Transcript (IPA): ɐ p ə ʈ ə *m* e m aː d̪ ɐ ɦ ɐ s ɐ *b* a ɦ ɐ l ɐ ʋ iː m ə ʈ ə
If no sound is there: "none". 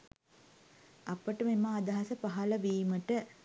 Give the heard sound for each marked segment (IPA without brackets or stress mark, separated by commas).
m, p